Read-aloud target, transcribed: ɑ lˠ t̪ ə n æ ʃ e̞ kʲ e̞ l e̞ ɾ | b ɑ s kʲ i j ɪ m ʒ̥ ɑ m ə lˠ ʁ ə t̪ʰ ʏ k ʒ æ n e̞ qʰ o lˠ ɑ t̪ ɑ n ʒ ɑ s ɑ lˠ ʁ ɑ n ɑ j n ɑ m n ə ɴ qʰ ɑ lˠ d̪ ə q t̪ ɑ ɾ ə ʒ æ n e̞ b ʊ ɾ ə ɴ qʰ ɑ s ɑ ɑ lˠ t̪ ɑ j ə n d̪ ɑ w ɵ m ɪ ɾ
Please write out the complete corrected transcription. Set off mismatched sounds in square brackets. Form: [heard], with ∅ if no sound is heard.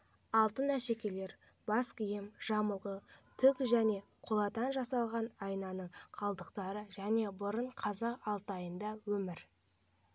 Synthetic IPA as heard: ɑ lˠ t̪ ə n æ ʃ e̞ kʲ e̞ l e̞ ɾ | b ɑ s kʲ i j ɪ m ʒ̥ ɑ m ə lˠ ʁ ə t̪ʰ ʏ k ʒ æ n e̞ qʰ o lˠ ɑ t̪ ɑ n ʒ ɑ s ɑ lˠ ʁ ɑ n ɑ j n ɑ [∅] n ə ɴ qʰ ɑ lˠ d̪ ə q t̪ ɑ ɾ ə ʒ æ n e̞ b ʊ ɾ ə ɴ qʰ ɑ [z] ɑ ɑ lˠ t̪ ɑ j ə n d̪ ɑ w ɵ m ɪ ɾ